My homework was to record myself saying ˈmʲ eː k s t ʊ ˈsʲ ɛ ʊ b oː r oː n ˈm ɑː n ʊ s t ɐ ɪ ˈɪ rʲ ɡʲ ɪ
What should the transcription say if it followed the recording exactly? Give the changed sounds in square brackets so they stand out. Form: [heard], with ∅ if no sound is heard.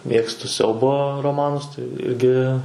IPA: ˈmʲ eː k s t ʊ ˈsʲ ɛ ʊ b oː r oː [∅] ˈm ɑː n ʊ s t ɐ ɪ ˈɪ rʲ ɡʲ ɪ